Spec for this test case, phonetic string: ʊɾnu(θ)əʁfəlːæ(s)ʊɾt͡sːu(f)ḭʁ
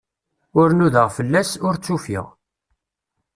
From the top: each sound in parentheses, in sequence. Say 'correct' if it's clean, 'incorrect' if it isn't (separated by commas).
incorrect, correct, correct